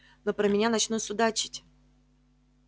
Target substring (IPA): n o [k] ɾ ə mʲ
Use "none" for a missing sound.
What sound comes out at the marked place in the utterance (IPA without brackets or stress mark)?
p